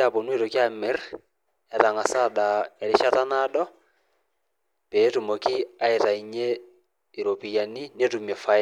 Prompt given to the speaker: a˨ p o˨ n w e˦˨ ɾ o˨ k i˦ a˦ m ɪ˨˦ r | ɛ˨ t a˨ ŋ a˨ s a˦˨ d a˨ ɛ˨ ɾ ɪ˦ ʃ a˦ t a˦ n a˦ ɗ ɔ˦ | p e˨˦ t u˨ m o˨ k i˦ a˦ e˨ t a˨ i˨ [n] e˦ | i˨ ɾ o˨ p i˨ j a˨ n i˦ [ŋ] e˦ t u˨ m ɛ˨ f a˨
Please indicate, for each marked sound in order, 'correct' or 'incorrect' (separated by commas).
incorrect, incorrect